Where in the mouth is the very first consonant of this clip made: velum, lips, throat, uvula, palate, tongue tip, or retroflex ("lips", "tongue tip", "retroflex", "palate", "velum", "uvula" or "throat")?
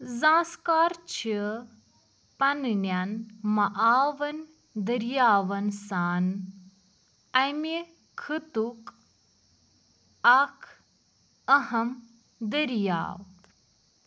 tongue tip